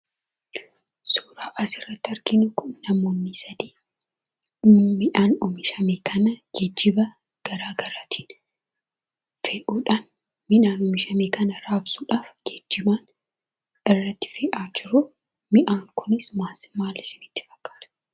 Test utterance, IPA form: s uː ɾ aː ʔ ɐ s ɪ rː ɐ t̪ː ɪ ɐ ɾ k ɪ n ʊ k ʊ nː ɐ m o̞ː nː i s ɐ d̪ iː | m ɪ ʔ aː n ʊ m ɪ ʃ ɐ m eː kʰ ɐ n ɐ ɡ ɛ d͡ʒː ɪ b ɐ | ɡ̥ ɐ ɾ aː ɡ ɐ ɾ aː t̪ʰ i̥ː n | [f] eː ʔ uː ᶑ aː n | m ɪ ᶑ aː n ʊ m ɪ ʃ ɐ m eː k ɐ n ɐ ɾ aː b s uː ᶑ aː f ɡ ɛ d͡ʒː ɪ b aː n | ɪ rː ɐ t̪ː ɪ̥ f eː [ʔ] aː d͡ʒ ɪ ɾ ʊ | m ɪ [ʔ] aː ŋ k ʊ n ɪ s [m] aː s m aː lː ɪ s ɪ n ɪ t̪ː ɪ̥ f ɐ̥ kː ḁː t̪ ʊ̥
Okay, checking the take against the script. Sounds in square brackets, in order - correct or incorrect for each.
correct, correct, correct, correct

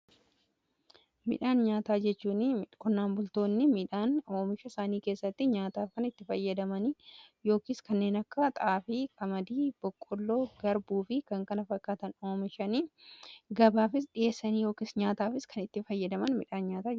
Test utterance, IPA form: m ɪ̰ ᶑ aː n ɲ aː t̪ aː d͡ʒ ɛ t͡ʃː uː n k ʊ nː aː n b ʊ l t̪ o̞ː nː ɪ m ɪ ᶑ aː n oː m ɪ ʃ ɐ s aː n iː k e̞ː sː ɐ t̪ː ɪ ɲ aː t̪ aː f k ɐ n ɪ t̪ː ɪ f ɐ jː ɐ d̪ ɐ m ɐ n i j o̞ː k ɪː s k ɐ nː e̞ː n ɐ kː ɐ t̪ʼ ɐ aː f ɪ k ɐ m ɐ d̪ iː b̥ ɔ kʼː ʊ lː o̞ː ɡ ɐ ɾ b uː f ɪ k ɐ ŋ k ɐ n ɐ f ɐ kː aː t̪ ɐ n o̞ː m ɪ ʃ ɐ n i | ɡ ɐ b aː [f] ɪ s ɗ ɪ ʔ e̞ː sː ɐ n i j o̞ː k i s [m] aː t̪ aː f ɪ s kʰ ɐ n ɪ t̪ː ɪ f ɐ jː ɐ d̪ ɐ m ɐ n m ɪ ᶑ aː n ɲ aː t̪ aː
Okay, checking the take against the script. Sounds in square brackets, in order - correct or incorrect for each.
correct, incorrect: ɲ

